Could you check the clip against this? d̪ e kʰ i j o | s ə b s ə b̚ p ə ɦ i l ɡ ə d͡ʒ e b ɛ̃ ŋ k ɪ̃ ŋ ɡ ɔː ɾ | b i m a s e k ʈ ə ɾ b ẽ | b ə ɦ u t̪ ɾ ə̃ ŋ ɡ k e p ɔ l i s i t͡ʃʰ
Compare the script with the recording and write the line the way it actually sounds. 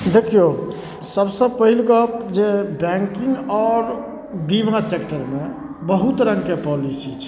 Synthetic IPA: d̪ e kʰ i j o | s ə b s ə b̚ p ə ɦ i l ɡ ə d͡ʒ e b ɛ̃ ŋ k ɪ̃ ŋ ɡ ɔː ɾ | b i m a s e k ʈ ə ɾ m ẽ | b ə ɦ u t̪ ɾ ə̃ ŋ ɡ k e p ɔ l i s i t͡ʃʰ